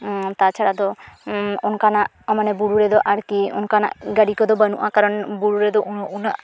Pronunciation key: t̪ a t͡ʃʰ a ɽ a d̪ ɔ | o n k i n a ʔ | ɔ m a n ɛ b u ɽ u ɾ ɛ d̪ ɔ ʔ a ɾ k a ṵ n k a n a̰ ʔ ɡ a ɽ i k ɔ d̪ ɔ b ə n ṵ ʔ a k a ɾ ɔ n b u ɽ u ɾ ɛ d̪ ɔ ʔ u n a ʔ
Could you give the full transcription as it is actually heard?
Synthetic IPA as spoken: t̪ a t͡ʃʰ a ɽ a d̪ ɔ | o n k a n a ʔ | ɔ m a n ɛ b u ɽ u ɾ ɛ d̪ ɔ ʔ a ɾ k i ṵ n k a n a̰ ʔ ɡ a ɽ i k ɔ d̪ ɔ b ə n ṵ ʔ a k a ɾ ɔ n b u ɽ u ɾ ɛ d̪ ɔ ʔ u n a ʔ